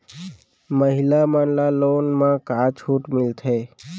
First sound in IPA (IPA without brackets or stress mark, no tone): m